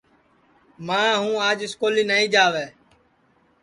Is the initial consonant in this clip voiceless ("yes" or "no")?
no